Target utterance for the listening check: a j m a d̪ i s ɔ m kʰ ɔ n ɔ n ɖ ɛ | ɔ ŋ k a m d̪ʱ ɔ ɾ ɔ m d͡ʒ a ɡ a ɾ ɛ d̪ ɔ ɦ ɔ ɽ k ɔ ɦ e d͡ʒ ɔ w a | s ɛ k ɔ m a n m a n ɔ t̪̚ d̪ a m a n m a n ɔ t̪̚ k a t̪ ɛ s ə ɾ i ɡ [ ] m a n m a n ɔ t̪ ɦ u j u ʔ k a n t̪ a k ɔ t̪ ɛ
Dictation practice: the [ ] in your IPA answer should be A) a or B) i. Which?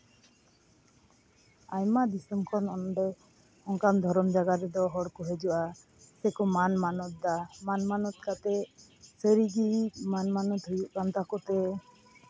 B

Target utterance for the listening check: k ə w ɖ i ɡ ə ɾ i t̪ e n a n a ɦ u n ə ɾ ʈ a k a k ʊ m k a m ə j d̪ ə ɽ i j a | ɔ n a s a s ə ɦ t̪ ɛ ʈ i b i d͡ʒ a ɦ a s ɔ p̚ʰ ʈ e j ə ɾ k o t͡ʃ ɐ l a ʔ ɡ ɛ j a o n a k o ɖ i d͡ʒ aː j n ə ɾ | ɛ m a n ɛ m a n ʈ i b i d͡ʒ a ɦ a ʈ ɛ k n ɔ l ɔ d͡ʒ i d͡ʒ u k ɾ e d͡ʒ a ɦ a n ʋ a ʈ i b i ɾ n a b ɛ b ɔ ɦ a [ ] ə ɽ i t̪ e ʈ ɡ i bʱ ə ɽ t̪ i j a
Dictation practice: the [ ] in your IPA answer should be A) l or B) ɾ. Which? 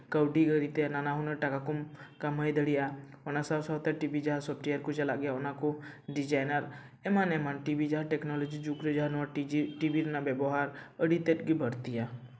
B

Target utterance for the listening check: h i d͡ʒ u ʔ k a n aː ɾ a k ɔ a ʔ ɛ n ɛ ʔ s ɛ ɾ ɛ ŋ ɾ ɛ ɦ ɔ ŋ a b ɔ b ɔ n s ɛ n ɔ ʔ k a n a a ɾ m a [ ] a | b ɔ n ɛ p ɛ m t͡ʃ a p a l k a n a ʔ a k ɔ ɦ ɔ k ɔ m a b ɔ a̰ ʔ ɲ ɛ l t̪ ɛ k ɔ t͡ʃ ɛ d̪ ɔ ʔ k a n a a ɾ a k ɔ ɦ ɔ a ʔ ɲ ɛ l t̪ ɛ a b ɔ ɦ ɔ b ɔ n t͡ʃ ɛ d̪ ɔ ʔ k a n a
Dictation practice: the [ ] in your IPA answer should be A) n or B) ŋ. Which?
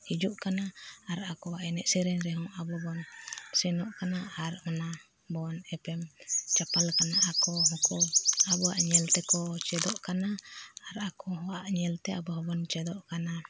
A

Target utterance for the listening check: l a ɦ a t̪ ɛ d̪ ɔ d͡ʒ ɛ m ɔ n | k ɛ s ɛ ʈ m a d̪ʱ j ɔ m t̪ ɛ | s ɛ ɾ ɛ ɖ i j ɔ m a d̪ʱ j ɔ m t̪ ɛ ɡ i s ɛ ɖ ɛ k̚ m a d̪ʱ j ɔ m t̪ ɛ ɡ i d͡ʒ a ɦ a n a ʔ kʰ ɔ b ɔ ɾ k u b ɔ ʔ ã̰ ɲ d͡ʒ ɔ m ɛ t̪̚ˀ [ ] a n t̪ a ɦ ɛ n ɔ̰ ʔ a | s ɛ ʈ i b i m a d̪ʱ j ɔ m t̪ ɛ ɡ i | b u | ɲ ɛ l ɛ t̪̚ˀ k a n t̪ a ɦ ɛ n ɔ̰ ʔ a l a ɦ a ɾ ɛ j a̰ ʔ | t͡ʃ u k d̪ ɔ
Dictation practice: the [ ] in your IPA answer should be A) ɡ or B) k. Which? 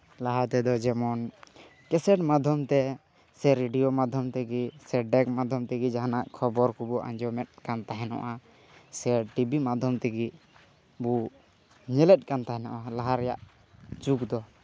B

